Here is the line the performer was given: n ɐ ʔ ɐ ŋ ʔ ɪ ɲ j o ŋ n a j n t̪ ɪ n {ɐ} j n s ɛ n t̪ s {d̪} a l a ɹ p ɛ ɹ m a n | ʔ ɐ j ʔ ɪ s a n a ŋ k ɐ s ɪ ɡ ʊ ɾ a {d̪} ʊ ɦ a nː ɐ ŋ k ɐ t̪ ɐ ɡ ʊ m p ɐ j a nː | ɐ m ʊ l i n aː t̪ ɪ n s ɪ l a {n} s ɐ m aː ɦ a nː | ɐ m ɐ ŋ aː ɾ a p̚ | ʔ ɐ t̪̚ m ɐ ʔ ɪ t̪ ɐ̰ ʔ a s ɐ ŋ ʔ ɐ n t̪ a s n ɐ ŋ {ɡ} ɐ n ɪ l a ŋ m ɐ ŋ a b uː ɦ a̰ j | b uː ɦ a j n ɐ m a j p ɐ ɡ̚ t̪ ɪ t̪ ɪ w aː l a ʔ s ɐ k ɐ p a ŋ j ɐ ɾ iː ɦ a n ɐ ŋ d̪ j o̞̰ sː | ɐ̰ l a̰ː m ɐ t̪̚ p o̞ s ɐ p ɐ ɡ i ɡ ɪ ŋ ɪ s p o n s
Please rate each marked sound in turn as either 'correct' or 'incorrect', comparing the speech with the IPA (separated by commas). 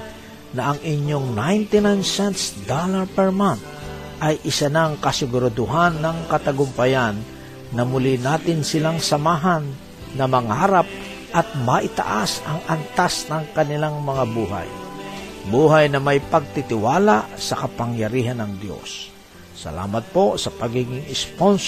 incorrect, correct, correct, incorrect, incorrect